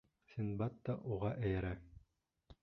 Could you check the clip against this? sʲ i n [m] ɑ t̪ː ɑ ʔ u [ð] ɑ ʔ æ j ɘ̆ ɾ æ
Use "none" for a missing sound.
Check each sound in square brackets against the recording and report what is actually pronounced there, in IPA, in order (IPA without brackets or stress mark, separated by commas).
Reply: b, ʁ